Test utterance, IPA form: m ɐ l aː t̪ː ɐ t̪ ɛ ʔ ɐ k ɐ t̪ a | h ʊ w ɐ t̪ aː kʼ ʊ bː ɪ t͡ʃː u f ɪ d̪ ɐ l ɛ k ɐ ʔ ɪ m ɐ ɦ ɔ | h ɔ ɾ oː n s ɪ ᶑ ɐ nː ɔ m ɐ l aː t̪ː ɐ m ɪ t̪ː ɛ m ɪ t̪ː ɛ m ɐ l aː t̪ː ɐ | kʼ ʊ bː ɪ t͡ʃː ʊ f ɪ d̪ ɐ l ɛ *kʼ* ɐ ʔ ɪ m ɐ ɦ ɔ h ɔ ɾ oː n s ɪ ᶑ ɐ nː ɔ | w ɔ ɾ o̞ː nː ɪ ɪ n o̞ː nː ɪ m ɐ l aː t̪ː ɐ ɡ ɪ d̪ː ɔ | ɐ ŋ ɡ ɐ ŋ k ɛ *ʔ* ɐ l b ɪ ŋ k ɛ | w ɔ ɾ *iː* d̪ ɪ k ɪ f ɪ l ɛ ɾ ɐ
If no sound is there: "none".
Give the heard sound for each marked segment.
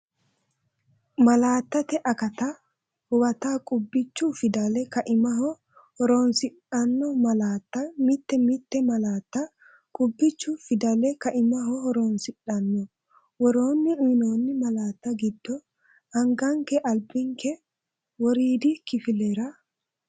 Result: k, ʔ, iː

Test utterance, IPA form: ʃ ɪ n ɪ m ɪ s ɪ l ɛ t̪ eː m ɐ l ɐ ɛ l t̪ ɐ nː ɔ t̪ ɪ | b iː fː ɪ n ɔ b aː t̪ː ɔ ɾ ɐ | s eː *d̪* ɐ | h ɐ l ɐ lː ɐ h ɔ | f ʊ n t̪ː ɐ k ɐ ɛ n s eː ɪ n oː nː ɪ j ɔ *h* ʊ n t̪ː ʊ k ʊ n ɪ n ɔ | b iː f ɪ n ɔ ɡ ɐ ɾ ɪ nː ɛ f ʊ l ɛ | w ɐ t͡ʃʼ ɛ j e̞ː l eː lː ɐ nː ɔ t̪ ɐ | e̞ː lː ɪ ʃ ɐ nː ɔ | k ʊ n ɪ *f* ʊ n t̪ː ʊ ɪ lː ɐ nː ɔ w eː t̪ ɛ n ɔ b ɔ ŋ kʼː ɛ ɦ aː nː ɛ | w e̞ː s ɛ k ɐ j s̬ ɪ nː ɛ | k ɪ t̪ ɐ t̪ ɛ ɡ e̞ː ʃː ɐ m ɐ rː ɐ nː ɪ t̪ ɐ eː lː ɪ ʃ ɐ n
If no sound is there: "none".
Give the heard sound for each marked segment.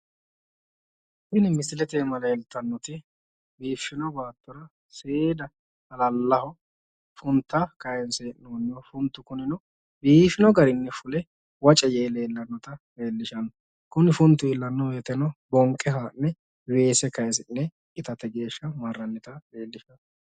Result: d̪, f, f

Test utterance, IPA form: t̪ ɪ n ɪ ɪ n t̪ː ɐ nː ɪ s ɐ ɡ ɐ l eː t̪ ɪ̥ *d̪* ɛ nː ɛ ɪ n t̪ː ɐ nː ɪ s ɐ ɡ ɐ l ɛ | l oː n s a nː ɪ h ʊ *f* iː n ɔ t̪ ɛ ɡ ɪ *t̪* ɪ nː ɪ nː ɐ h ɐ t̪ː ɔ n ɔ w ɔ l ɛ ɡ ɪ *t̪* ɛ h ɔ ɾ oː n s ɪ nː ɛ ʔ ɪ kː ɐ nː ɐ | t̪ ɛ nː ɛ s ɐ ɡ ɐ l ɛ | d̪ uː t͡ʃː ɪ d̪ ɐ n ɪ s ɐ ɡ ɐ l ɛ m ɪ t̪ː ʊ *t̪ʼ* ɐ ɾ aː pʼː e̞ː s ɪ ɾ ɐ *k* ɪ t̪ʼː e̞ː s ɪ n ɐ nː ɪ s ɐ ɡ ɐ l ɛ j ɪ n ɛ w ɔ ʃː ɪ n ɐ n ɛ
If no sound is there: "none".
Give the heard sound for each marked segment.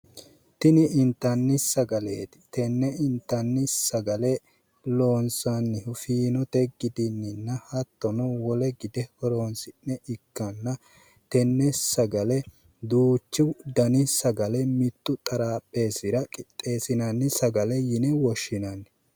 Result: t̪, f, d̪, d̪, t̪ʼ, kʼ

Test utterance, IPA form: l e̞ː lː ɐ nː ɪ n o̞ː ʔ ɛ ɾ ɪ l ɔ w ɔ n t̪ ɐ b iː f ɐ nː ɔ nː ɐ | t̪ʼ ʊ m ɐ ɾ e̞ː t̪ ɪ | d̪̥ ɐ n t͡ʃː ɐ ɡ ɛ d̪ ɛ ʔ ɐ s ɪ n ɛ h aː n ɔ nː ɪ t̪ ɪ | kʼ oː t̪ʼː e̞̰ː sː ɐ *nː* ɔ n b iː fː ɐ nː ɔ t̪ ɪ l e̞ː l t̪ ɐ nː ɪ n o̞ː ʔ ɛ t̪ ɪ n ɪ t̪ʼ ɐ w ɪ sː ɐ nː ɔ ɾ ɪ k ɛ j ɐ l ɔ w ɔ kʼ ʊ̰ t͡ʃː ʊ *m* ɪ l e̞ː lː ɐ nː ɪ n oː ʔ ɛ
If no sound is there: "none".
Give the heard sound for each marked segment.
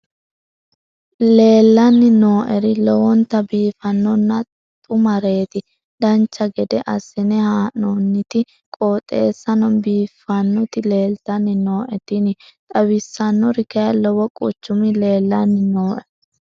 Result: n, m

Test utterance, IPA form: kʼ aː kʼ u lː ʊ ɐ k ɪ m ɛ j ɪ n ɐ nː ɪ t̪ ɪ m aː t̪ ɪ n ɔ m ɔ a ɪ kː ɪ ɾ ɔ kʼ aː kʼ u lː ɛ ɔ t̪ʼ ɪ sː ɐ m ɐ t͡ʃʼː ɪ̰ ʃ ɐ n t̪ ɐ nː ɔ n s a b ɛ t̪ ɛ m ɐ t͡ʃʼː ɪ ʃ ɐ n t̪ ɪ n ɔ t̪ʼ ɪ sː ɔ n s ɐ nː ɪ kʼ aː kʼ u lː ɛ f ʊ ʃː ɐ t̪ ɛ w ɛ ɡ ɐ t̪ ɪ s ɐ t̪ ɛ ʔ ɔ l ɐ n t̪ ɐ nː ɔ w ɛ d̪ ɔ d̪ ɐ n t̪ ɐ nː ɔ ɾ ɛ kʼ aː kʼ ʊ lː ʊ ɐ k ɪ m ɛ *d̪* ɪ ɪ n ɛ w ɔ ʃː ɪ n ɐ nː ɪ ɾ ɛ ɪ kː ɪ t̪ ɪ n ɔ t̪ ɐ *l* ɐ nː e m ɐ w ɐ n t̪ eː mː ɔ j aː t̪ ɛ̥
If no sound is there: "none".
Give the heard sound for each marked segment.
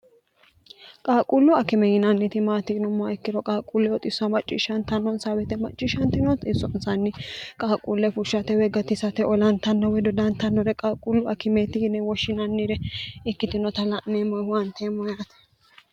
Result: t̪, l

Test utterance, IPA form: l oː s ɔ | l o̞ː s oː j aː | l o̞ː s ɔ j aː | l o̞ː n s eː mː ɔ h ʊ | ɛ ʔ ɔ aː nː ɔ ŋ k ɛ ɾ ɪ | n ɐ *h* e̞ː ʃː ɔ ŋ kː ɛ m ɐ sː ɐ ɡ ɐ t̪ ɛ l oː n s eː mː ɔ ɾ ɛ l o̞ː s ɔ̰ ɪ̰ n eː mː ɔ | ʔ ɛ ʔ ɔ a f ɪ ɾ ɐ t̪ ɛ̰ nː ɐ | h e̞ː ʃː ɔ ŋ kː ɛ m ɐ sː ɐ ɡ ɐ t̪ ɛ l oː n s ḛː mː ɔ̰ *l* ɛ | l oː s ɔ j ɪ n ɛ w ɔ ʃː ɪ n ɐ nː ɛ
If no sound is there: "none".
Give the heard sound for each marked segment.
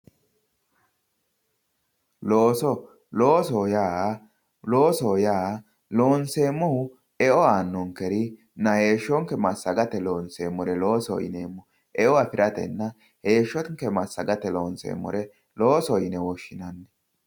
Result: h, ɾ

